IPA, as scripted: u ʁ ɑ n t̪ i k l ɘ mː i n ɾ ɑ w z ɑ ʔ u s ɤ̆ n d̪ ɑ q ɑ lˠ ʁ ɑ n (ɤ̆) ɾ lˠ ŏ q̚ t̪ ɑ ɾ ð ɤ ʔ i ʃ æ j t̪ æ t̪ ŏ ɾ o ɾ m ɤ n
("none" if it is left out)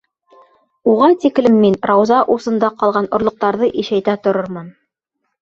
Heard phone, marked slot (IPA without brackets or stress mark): ŏ